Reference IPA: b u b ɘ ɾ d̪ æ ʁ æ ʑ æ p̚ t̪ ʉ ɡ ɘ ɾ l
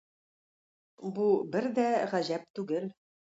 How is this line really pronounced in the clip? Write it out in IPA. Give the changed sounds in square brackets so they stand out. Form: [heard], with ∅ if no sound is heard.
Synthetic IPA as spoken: b u b ɘ ɾ d̪ æ ʁ æ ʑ æ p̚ t̪ ʉ ɡ ɘ [∅] l